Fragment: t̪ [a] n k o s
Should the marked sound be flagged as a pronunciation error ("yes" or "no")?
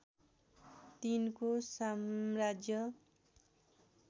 yes